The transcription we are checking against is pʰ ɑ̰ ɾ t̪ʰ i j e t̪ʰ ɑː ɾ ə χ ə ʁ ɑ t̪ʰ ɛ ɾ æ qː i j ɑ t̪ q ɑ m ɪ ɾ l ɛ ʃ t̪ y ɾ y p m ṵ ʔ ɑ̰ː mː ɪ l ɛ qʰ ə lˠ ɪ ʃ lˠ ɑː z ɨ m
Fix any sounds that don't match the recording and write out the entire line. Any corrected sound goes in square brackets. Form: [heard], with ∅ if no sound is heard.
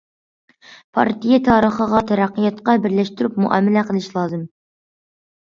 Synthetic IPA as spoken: pʰ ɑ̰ ɾ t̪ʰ i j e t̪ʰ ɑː ɾ ə χ ə ʁ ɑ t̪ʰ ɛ ɾ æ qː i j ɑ t̪ q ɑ [b] ɪ ɾ l ɛ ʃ t̪ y ɾ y p m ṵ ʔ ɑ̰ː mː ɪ l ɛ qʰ ə lˠ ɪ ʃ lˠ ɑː z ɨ m